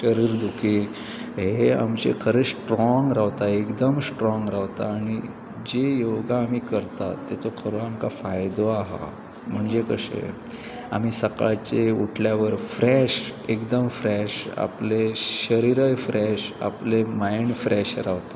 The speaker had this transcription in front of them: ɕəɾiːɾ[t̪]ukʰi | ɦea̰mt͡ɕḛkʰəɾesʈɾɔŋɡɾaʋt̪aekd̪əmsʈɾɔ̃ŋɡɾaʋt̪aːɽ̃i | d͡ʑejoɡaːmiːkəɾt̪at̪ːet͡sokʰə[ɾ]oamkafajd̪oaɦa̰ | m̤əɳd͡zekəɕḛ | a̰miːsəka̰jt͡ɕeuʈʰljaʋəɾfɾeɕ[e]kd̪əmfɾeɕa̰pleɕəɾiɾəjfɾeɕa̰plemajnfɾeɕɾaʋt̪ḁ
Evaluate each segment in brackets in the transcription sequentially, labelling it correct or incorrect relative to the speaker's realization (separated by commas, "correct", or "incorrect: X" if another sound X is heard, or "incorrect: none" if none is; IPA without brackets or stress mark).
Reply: incorrect: d̪, correct, correct